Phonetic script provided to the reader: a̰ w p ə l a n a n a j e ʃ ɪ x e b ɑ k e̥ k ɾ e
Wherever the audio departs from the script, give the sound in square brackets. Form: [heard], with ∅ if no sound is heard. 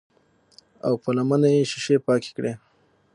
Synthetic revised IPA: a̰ w p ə l a [m] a n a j e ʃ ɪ [ʃ] e [p] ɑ k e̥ k [ɽ] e